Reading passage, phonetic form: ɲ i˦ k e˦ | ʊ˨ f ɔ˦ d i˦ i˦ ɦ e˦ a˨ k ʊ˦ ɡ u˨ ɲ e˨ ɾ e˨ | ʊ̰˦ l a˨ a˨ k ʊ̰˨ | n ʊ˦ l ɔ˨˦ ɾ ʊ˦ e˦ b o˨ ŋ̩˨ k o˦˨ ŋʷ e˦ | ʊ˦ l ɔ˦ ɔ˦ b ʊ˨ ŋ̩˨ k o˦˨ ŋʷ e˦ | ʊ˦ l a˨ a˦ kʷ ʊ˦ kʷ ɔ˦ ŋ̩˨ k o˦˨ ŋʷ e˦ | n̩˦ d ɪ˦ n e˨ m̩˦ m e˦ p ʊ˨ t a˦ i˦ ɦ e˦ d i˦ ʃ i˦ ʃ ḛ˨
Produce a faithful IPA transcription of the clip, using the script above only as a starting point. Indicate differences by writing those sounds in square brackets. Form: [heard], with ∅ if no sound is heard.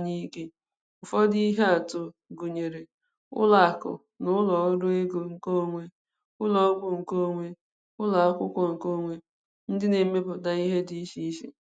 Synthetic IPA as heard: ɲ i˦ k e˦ | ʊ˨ f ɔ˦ d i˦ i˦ ɦ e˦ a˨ [t] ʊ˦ ɡ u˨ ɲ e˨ ɾ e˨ | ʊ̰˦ l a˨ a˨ k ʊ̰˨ | n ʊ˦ l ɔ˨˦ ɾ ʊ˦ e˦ [ɡ] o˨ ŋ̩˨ k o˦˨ ŋʷ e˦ | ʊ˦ l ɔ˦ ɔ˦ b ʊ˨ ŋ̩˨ k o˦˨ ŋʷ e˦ | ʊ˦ l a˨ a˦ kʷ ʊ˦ kʷ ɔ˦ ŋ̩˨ k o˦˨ ŋʷ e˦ | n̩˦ d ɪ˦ n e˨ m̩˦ m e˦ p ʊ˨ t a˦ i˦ ɦ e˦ d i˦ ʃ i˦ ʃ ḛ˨